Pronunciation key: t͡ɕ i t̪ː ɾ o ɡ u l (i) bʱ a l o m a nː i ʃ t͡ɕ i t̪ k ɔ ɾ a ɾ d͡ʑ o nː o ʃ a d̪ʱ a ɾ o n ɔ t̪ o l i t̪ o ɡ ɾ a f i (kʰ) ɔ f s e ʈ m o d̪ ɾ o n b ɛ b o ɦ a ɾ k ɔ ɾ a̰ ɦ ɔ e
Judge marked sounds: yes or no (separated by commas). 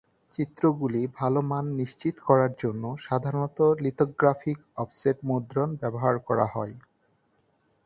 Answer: yes, no